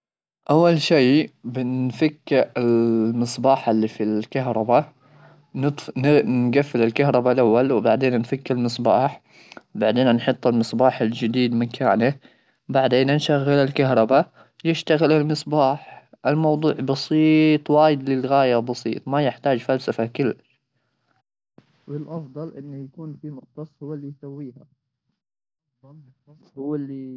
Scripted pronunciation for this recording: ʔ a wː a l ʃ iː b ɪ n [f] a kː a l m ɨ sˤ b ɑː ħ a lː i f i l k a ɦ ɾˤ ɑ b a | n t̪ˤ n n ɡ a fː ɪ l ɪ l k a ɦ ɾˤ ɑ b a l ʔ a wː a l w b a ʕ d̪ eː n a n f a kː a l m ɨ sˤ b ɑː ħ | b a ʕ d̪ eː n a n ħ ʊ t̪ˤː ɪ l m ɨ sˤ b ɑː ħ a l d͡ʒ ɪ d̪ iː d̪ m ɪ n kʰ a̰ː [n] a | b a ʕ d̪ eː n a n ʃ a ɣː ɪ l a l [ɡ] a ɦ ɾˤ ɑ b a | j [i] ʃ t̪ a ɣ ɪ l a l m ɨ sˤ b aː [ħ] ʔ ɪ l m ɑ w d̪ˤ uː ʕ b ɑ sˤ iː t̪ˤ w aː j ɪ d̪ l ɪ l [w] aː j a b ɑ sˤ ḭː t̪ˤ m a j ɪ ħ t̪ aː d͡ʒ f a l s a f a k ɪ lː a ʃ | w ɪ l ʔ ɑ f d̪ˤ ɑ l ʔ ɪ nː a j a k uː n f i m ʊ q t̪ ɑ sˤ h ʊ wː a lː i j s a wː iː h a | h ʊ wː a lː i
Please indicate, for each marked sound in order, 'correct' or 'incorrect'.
correct, correct, incorrect: k, incorrect: ɪ, correct, incorrect: ɣ

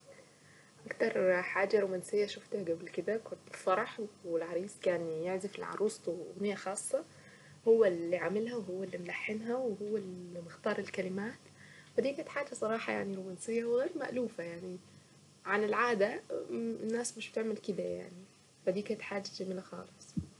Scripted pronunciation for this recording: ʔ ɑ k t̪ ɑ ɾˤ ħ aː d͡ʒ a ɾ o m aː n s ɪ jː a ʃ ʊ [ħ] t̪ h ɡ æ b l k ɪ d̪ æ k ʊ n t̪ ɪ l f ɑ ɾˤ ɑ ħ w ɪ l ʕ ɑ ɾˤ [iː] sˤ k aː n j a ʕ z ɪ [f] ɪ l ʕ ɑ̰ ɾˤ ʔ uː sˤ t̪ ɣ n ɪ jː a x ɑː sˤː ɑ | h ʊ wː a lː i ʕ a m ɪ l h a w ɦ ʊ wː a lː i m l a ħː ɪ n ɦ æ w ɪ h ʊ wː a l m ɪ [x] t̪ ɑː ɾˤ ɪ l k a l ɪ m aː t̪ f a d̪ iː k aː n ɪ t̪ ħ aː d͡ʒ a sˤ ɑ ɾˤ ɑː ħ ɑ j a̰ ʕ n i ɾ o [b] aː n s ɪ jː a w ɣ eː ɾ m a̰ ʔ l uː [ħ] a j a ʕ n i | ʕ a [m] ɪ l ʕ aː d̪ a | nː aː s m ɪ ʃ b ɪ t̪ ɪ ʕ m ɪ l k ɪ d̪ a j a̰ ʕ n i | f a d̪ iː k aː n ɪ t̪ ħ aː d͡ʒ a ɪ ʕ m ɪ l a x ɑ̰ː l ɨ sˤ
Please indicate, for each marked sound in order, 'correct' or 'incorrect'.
incorrect: f, correct, correct, correct, incorrect: m, incorrect: f, incorrect: n

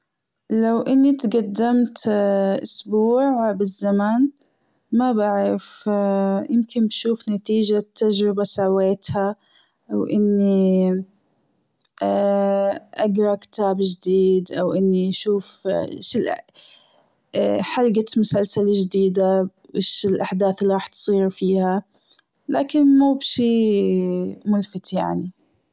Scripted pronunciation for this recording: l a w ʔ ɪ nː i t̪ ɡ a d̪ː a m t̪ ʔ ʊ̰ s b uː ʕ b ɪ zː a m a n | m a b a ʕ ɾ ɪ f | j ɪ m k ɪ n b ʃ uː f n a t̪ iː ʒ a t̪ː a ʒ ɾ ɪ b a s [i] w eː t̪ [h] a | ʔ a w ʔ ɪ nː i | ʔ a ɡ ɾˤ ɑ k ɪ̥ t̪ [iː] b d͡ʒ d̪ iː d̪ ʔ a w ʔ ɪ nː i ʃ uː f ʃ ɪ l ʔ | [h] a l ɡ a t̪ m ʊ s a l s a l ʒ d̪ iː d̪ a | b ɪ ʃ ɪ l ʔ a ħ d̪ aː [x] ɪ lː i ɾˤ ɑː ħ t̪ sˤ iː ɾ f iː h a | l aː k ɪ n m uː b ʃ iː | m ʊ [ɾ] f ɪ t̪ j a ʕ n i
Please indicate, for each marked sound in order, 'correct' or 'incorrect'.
incorrect: a, correct, incorrect: aː, incorrect: ħ, incorrect: θ, incorrect: l

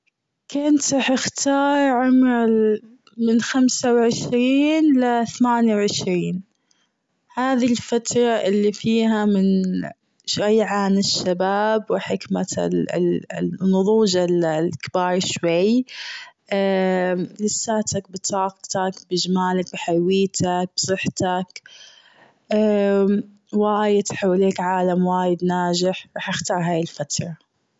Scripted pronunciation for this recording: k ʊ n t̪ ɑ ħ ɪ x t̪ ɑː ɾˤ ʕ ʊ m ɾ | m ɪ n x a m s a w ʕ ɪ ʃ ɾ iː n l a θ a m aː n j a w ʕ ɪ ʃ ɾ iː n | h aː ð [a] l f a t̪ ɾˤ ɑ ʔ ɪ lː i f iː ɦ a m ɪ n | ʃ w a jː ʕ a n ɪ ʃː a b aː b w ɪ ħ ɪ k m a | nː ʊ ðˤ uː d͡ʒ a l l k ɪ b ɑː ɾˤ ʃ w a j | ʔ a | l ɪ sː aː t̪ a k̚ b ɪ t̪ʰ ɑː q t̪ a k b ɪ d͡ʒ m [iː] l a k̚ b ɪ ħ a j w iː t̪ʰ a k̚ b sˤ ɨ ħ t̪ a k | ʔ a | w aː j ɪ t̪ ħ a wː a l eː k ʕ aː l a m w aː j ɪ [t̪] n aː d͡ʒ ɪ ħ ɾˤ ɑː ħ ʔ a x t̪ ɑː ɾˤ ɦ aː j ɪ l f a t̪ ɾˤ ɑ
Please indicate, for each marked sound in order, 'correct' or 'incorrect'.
incorrect: i, incorrect: aː, incorrect: d̪

